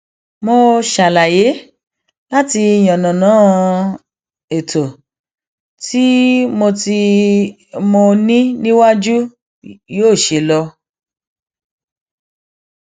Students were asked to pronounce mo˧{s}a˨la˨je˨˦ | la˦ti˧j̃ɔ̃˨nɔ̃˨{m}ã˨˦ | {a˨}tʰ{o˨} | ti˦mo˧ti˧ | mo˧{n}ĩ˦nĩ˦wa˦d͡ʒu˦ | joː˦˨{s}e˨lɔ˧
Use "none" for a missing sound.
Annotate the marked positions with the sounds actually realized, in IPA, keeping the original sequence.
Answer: ʃ, n, e˨, o˨, n, ʃ

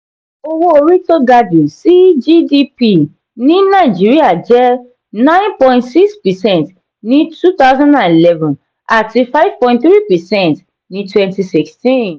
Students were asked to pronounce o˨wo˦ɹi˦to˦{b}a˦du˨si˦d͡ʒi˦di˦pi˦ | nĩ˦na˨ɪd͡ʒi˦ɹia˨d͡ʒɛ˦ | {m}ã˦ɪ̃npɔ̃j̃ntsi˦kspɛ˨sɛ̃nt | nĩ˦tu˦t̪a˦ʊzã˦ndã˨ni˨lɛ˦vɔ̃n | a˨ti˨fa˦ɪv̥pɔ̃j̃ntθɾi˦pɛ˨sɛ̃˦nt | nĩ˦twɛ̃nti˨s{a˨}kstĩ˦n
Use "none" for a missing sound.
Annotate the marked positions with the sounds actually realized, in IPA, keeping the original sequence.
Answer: ɡ, n, i˨

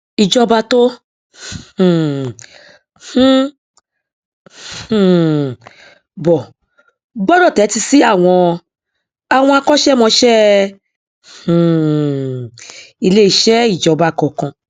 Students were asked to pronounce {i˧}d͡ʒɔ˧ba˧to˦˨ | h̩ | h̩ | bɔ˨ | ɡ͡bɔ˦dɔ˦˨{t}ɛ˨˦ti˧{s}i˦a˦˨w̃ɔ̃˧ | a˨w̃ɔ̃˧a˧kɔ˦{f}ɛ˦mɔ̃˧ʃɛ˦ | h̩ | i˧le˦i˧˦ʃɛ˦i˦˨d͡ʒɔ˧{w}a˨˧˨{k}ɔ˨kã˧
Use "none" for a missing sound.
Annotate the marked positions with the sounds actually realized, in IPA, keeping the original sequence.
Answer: i˧, t, s, ʃ, b, k

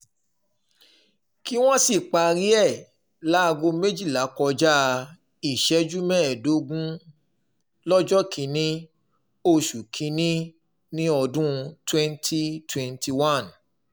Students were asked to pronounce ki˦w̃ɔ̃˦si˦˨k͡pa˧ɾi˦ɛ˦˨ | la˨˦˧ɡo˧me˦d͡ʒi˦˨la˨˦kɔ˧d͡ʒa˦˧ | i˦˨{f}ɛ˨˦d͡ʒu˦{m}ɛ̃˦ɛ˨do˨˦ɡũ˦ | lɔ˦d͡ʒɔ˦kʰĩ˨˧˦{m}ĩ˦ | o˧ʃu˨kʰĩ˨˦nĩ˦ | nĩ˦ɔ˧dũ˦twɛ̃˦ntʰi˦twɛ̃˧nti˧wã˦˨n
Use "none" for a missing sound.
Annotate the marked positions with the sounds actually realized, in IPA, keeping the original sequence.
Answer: ʃ, m, n

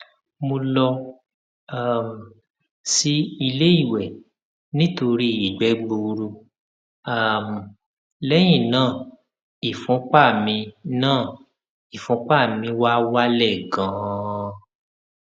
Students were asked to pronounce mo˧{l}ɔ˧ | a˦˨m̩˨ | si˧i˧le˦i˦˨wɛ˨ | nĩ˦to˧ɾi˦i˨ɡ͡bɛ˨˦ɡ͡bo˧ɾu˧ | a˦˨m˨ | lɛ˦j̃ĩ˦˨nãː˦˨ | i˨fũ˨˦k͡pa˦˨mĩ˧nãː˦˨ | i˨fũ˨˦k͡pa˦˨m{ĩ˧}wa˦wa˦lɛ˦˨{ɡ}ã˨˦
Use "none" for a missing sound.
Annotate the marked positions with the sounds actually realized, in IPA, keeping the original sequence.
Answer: l, ĩ˧, ɡ

